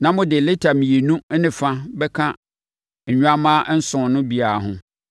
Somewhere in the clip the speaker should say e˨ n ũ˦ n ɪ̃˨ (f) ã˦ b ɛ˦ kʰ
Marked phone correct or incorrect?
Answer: correct